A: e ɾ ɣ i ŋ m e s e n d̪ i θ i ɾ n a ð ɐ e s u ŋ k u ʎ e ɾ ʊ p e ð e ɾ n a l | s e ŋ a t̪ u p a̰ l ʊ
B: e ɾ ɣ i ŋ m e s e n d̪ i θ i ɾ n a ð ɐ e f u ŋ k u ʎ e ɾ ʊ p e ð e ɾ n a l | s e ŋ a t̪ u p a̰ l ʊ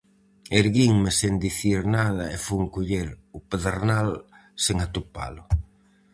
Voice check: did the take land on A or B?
B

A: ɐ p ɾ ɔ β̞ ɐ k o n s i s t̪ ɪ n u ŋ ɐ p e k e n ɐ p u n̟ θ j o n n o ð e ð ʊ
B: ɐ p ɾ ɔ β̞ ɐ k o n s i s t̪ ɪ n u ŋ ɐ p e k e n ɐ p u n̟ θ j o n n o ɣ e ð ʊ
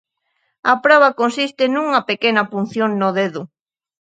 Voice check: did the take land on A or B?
A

